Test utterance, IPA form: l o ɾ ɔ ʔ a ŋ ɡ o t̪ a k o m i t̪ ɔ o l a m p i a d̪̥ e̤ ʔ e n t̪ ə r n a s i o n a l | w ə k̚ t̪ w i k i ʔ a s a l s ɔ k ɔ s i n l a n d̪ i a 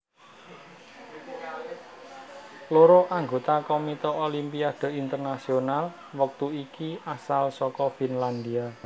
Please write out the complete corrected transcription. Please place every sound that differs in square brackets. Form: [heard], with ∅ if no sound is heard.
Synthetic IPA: l o ɾ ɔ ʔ a ŋ ɡ o t̪ a k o m i t̪ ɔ o l [i] m p i a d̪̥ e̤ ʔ [i] n t̪ ə r n a s i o n a l | w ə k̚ t̪ [u] i k i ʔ a s a l s ɔ k ɔ [f] i n l a n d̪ i a